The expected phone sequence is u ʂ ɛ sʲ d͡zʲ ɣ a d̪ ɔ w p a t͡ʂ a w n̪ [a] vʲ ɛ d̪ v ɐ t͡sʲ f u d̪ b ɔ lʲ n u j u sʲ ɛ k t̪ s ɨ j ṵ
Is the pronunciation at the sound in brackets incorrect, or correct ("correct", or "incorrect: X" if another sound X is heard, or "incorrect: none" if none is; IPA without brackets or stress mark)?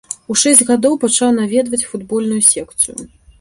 correct